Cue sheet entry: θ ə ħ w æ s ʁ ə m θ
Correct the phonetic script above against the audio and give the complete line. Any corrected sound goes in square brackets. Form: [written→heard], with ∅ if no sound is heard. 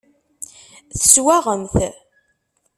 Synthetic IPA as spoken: θ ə [ħ→s] w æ [s→∅] ʁ ə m θ